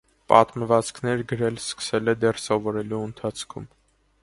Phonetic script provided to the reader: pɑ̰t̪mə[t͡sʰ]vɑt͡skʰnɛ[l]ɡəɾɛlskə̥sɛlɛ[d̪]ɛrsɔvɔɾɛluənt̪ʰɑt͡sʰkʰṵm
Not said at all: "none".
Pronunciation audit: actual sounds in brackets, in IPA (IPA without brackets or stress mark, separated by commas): none, ɾ, d̪